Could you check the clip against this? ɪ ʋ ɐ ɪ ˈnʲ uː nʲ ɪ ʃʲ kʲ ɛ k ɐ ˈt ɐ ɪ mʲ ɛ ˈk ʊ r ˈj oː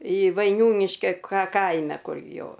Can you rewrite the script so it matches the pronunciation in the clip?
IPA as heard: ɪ ʋ ɐ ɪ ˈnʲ uː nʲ ɪ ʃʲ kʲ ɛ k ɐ ˈk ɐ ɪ mʲ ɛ ˈk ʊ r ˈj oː